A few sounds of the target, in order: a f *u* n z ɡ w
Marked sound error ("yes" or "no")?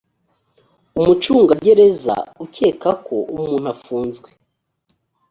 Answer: yes